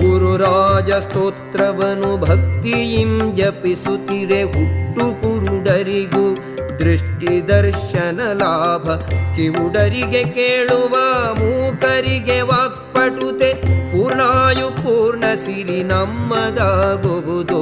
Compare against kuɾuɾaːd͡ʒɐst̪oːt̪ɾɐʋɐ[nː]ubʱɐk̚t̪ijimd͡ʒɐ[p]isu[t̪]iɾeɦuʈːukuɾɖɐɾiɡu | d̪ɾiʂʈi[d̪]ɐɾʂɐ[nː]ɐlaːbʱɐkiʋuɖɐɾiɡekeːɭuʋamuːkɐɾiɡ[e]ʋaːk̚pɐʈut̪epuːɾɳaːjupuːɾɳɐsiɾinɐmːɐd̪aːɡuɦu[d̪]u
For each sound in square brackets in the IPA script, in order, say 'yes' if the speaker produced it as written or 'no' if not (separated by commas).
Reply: no, yes, yes, yes, no, yes, yes